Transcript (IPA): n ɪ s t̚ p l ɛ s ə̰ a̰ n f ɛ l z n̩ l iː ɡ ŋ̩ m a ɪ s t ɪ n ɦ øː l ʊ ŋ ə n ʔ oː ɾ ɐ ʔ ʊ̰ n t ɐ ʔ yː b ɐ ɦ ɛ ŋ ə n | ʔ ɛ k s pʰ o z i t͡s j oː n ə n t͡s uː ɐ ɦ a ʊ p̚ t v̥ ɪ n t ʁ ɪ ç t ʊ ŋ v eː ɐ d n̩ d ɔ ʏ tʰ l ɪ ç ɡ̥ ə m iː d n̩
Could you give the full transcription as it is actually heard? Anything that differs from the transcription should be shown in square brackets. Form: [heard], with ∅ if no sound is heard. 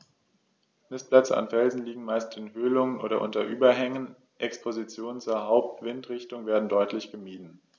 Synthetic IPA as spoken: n ɪ s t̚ p l ɛ [t͡s] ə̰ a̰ n f ɛ l z n̩ l iː ɡ ŋ̩ m a ɪ s t ɪ n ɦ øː l ʊ ŋ ə n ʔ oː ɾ ɐ ʔ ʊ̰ n t ɐ ʔ yː b ɐ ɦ ɛ ŋ ə n | ʔ ɛ k s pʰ o z i t͡s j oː n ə n t͡s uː ɐ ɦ a ʊ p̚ t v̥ ɪ n t ʁ ɪ ç t ʊ ŋ v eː ɐ d n̩ d ɔ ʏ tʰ l ɪ ç ɡ̥ ə m iː d n̩